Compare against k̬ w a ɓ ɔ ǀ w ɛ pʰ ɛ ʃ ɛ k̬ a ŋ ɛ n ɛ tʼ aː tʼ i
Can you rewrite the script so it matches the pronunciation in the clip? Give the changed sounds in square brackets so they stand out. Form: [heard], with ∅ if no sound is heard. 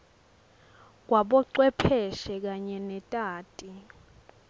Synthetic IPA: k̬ w a ɓ ɔ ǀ w ɛ pʰ ɛ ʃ ɛ k̬ a [ɲ] ɛ n ɛ tʼ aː tʼ i